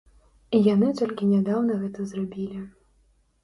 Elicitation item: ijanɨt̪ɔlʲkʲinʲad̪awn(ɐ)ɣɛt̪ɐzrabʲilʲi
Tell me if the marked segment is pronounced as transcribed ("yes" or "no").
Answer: yes